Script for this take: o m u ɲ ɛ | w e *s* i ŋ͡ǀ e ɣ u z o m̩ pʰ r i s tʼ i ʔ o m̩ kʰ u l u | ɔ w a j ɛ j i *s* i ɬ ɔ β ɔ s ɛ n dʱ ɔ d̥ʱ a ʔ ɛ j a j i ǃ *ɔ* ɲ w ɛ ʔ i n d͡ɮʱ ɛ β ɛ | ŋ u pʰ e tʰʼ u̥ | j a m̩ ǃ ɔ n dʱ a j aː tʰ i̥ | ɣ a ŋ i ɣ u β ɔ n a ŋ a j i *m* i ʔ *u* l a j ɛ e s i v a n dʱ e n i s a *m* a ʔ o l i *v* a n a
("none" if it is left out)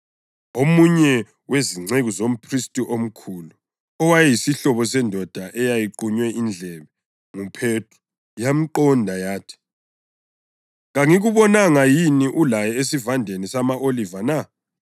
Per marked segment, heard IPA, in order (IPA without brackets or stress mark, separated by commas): z, s, u, n, u, m, v